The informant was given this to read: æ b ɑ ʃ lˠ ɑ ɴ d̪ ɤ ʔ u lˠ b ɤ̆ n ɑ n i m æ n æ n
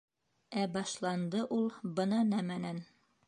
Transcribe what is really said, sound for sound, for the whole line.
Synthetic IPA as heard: æ b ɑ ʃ lˠ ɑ n d̪ ɤ ʔ u lˠ b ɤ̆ n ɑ n æ m æ n æ n

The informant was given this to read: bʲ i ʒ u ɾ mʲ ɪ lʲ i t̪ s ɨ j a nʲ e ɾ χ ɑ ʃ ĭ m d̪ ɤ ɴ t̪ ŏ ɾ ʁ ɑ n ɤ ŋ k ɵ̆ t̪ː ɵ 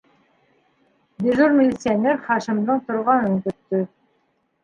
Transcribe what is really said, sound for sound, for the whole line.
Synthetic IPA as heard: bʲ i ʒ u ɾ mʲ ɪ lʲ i t̪ s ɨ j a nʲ e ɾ χ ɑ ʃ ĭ m d̪ ɤ ɴ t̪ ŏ ɾ ʁ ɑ n ɤ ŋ k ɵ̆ t̪ː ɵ

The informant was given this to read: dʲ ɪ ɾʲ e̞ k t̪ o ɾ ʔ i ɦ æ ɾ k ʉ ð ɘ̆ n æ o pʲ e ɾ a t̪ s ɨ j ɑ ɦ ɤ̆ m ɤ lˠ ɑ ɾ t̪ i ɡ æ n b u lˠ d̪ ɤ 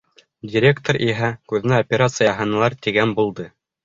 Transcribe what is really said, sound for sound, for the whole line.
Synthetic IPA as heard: dʲ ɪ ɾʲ e̞ k t̪ o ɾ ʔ i ɦ æ k ʉ ð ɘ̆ n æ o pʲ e ɾ a t̪ s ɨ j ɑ ɦ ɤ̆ n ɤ lˠ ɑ ɾ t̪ i ɡ æ n b u lˠ d̪ ɤ

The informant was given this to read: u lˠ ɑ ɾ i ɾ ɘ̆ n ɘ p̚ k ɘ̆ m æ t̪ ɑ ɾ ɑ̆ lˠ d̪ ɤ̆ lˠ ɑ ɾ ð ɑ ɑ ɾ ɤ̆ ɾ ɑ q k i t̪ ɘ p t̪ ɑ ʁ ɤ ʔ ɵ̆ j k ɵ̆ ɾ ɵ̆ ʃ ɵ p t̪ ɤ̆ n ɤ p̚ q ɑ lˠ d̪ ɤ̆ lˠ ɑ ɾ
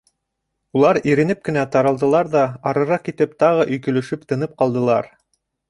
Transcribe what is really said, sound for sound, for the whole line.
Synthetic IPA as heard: u lˠ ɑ ɾ i ɾ ɘ̆ n ɘ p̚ k ɘ̆ n æ t̪ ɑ ɾ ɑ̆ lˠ d̪ ɤ̆ lˠ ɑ ɾ ð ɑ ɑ ɾ ɤ̆ ɾ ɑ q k i t̪ ɘ p t̪ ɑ ʁ ɤ ʔ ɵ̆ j k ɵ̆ l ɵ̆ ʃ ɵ p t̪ ɤ̆ n ɤ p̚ q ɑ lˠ d̪ ɤ̆ lˠ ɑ ɾ

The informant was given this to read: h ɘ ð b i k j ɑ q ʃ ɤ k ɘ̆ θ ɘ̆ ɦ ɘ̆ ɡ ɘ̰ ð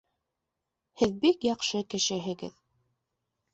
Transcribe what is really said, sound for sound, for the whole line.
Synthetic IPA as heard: h ɘ ð b i k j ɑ q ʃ ɤ k ɘ̆ ʃ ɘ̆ ɦ ɘ̆ ɡ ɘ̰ ð

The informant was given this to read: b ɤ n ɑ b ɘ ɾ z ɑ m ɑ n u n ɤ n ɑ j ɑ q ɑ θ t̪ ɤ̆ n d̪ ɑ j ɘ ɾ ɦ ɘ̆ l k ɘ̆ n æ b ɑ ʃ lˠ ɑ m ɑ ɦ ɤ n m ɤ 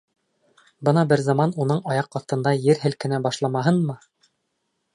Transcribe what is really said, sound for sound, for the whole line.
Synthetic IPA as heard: b ɤ n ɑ b ɘ ɾ z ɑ m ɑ n u n ɤ ɴ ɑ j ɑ q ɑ θ t̪ ɤ̆ n d̪ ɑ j ɘ ɾ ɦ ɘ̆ l k ɘ̆ n æ b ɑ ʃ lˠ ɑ m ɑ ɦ ɤ n m ɤ

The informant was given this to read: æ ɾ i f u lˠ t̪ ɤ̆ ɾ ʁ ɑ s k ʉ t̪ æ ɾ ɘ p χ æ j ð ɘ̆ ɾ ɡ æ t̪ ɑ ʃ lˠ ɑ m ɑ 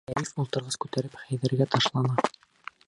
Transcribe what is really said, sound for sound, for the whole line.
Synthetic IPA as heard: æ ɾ i f u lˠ t̪ ɤ̆ ɾ ʁ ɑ s k ʉ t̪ æ ɾ ɘ p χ æ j ð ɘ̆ ɾ ɡ æ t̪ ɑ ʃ lˠ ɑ n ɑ

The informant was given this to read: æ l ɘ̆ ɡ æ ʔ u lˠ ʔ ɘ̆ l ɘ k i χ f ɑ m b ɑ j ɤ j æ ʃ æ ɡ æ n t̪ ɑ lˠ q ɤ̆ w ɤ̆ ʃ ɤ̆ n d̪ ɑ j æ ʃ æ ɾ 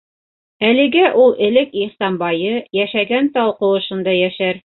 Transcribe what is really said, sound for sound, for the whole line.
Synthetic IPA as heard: æ l ɘ̆ ɡ æ ʔ u lˠ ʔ ɘ̆ l ɘ k i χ s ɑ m b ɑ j ɤ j æ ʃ æ ɡ æ n t̪ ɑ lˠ q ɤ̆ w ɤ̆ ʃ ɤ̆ n d̪ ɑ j æ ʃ æ ɾ

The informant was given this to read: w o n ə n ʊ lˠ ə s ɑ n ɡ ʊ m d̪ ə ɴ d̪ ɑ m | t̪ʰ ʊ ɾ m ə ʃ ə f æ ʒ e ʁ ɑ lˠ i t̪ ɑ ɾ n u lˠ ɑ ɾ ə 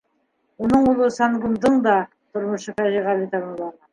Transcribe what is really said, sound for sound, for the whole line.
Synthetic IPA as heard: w o n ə ɴ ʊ lˠ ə s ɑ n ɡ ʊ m d̪ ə ɴ d̪ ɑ | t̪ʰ ʊ ɾ m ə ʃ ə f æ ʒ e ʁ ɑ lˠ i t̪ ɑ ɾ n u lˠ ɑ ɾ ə

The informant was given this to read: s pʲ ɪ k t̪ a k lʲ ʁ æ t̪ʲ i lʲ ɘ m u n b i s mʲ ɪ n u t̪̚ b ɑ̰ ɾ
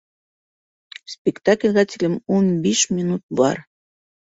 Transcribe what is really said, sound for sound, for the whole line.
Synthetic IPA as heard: s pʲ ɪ k t̪ a k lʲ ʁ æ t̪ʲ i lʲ ɘ m u n b i ʃ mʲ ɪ n u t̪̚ b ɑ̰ ɾ

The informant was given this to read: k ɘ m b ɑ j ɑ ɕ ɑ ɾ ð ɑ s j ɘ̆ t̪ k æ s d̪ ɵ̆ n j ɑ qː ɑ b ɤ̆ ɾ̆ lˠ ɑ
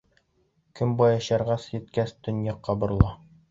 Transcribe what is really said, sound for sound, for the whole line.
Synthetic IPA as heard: k ɘ m b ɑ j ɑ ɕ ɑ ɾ ʁ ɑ s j ɘ̆ t̪ k æ s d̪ ɵ̆ n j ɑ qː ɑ b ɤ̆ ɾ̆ lˠ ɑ

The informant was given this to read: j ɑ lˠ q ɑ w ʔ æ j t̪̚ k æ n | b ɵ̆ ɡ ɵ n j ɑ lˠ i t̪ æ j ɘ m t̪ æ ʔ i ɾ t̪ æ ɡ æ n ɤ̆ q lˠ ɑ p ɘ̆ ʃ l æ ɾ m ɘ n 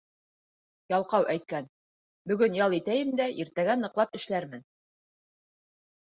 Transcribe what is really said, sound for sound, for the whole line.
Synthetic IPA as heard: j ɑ lˠ q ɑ w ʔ æ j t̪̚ k æ n | b ɵ̆ ɡ ɵ n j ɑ lˠ i t̪ æ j ɘ m d̪ æ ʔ i ɾ t̪ æ ɡ æ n ɤ̆ q lˠ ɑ p ɘ̆ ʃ l æ ɾ m ɘ n

